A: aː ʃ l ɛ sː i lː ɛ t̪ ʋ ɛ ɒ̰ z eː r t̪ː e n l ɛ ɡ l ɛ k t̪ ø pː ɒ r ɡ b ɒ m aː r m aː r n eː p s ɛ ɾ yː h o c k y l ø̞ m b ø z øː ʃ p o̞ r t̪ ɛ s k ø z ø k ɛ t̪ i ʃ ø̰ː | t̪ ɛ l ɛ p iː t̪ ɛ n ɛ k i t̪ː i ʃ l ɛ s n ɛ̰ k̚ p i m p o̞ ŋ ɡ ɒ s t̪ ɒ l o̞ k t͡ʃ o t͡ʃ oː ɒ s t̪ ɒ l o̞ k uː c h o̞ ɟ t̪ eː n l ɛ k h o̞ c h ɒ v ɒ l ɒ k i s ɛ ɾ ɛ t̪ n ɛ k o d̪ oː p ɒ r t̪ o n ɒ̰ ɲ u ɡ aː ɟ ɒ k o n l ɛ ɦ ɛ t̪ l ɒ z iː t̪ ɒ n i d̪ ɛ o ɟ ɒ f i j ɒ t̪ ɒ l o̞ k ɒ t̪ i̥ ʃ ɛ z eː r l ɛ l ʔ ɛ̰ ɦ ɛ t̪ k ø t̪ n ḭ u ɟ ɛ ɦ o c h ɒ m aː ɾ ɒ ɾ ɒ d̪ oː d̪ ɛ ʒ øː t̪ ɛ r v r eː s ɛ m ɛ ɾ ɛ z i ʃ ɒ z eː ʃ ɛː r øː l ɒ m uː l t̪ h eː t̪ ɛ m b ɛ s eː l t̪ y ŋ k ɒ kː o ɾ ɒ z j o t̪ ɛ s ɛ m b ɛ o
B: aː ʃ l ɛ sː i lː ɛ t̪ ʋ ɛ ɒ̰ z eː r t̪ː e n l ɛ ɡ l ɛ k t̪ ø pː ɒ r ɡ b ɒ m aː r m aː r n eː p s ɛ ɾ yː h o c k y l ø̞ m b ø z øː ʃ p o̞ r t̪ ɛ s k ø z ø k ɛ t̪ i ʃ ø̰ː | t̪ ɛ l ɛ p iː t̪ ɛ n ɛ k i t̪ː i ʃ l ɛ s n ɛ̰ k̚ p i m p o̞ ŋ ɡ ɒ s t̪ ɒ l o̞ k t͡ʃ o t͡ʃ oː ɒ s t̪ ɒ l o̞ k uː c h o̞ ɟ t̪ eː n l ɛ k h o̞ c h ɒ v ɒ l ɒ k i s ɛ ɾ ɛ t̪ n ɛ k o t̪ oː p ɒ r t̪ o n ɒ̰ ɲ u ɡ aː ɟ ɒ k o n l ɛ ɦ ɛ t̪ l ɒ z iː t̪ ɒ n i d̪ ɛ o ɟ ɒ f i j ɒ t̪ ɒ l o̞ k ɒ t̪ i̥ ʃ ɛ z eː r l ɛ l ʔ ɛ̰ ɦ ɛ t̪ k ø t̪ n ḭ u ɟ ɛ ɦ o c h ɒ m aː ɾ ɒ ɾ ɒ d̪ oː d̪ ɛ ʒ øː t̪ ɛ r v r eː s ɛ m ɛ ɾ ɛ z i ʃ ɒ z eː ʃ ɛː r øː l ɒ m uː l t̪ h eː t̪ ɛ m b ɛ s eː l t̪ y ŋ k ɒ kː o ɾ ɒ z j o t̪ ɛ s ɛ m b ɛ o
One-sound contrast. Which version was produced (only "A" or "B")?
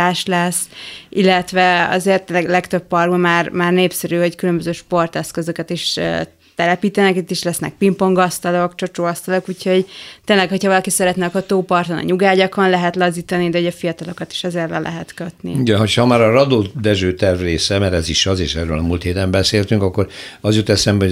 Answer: B